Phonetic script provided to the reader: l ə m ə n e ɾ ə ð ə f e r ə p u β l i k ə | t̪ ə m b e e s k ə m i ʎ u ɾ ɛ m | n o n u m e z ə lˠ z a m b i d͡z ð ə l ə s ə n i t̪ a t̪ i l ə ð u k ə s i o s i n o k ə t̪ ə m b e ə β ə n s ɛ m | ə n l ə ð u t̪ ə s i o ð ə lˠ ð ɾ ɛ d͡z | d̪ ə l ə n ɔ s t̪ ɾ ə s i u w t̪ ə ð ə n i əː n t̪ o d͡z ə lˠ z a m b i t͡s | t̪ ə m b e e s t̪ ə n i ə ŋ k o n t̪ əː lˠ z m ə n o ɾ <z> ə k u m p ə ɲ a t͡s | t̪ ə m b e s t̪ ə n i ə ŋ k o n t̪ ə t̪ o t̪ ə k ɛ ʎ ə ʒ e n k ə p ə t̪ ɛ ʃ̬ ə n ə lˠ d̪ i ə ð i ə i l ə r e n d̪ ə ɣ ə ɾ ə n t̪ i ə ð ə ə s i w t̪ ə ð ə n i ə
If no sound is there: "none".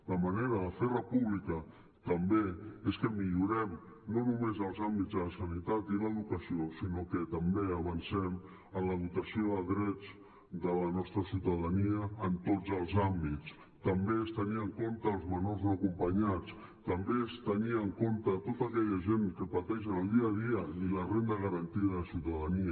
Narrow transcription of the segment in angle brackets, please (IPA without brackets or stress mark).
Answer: z